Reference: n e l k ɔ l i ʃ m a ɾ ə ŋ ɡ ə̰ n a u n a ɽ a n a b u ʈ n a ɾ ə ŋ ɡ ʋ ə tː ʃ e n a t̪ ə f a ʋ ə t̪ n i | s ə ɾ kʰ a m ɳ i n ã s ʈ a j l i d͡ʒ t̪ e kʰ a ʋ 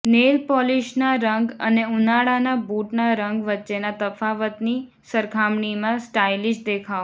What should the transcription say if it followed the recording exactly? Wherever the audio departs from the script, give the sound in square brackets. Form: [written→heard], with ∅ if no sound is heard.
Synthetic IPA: n e l [k→p] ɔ l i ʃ [m→n] a ɾ ə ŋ ɡ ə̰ n [a→e] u n a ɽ a n a b u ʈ n a ɾ ə ŋ ɡ ʋ ə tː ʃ e n a t̪ ə f a ʋ ə t̪ n i | s ə ɾ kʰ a m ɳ i [n→m] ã s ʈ a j l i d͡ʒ [t̪→d̪] e kʰ a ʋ

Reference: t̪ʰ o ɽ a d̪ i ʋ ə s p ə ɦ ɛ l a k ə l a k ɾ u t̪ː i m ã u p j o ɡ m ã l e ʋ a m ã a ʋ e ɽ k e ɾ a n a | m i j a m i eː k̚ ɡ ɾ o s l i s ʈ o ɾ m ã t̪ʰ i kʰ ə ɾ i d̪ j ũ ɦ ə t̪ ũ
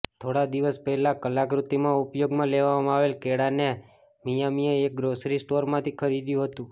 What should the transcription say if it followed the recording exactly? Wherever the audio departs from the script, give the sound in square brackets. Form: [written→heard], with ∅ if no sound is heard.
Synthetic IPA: t̪ʰ o ɽ a d̪ i ʋ ə s p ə ɦ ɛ l a k ə l a k ɾ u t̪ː i m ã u p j o ɡ m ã l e ʋ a m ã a ʋ e [ɽ→l] k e [ɾ→ɽ] a n [a→e] | m i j a m i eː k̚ ɡ ɾ o s [l→ɾ] i s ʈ o ɾ m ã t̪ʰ i kʰ ə ɾ i d̪ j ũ ɦ ə t̪ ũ

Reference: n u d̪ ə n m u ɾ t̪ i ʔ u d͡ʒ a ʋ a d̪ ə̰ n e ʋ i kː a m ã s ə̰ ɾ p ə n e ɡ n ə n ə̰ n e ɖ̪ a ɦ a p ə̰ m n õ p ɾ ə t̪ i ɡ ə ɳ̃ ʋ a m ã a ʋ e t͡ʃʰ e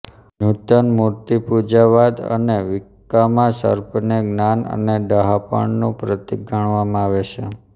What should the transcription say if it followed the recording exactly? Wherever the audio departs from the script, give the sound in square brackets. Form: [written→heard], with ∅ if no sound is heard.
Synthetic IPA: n u [d̪→t̪] ə n m u ɾ t̪ i [ʔ→p] u d͡ʒ a ʋ a d̪ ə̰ n e ʋ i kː a m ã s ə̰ ɾ p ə n e ɡ n [ə→a] n ə̰ n e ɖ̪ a ɦ a p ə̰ [m→ɳ] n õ p ɾ ə t̪ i ɡ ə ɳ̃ ʋ a m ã a ʋ e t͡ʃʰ e

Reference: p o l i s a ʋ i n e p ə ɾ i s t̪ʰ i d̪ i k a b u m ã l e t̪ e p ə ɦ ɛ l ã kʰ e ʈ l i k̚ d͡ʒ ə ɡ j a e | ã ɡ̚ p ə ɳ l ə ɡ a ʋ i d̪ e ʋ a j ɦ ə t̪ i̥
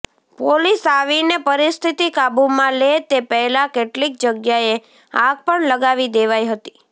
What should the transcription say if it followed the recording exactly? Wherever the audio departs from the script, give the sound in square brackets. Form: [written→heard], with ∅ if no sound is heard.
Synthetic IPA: p o l i s a ʋ i n e p ə ɾ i s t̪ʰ i [d̪→t̪] i k a b u m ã l e t̪ e p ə ɦ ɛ l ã [kʰ→k] e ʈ l i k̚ d͡ʒ ə ɡ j a e | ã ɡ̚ p ə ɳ l ə ɡ a ʋ i d̪ e ʋ a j ɦ ə t̪ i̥

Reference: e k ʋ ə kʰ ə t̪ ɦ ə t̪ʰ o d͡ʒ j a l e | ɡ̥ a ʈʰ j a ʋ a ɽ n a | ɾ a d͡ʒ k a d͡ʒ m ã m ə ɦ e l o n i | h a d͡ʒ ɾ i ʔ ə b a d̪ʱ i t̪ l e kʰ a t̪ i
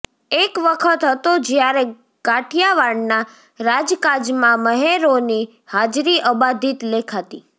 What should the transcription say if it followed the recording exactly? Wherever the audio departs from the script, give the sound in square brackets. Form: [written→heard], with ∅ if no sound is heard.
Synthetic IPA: e k ʋ ə kʰ ə t̪ ɦ ə [t̪ʰ→t̪] o d͡ʒ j a [l→ɾ] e | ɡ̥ a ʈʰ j a ʋ a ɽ n a | ɾ a d͡ʒ k a d͡ʒ m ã m ə ɦ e [l→ɾ] o n i | h a d͡ʒ ɾ i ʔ ə b a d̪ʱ i t̪ l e kʰ a t̪ i

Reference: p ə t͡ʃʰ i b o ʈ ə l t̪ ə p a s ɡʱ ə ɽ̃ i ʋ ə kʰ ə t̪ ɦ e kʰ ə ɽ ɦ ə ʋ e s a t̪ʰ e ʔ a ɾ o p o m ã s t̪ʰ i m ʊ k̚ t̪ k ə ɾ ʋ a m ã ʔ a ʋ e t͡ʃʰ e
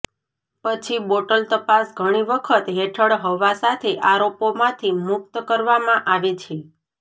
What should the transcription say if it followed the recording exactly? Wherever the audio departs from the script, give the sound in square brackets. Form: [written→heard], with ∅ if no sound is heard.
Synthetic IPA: p ə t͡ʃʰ i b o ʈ ə l t̪ ə p a s ɡʱ ə ɽ̃ i ʋ ə kʰ ə t̪ ɦ e [kʰ→ʈʰ] ə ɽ ɦ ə ʋ [e→a] s a t̪ʰ e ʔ a ɾ o p o m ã [s→∅] t̪ʰ i m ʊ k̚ t̪ k ə ɾ ʋ a m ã ʔ a ʋ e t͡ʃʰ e

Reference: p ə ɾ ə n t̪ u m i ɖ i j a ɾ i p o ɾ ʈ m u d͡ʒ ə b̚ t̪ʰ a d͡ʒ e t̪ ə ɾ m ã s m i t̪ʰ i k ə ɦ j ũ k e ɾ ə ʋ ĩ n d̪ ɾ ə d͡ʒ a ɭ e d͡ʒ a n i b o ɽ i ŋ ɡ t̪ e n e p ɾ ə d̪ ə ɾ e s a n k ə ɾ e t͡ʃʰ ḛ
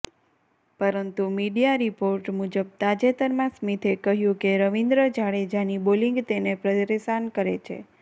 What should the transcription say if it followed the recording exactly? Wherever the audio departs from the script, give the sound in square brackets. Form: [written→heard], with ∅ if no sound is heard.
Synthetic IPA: p ə ɾ ə n t̪ u m i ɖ i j a ɾ i p o ɾ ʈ m u d͡ʒ ə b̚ [t̪ʰ→t̪] a d͡ʒ e t̪ ə ɾ m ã s m i t̪ʰ [i→e] k ə ɦ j ũ k e ɾ ə ʋ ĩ n d̪ ɾ ə d͡ʒ a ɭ e d͡ʒ a n i b o [ɽ→l] i ŋ ɡ t̪ e n e p ɾ ə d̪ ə ɾ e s a n k ə ɾ e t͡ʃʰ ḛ

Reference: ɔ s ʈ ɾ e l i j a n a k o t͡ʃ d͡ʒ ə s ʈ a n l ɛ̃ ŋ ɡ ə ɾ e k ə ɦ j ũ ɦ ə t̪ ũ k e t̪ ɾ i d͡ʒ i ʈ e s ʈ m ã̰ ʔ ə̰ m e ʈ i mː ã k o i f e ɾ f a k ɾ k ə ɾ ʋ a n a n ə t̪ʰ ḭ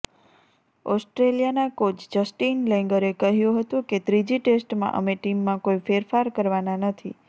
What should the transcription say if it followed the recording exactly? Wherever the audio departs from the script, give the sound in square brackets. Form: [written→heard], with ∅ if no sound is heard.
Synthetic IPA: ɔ s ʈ ɾ e l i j a n a k o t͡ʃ d͡ʒ ə s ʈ [a→i] n l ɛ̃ ŋ ɡ ə ɾ e k ə ɦ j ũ ɦ ə t̪ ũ k e t̪ ɾ i d͡ʒ i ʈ e s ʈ m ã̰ ʔ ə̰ m e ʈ i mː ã k o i f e ɾ f a [k→∅] ɾ k ə ɾ ʋ a n a n ə t̪ʰ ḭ

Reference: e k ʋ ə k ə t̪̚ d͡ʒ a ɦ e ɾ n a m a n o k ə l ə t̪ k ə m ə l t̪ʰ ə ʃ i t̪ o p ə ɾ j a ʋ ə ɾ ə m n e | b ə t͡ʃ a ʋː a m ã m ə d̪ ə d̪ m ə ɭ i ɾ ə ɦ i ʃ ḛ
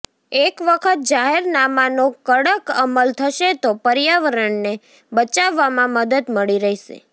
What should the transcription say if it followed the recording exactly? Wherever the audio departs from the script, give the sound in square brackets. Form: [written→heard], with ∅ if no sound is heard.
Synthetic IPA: e k ʋ ə [k→kʰ] ə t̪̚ d͡ʒ a ɦ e ɾ n a m a n o k ə [l→ɽ] ə [t̪→∅] k ə m ə l t̪ʰ ə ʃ [i→e] t̪ o p ə ɾ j a ʋ ə ɾ ə [m→ɳ] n e | b ə t͡ʃ a ʋː a m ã m ə d̪ ə d̪ m ə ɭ i ɾ ə ɦ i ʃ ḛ

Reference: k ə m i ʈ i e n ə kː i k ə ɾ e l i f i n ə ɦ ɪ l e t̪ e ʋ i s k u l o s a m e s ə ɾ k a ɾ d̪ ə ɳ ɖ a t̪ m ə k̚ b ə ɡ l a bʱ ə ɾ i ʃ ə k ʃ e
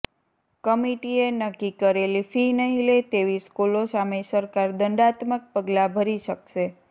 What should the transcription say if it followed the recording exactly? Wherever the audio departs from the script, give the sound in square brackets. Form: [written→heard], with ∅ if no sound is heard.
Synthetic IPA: k ə m i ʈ i e n ə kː i k ə ɾ e l i f i n ə ɦ [ɪ→i] l e t̪ e ʋ i s k u l o s a m e s ə ɾ k a ɾ d̪ ə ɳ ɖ a t̪ m ə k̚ [b→p] ə ɡ l a bʱ ə ɾ i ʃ ə k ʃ e

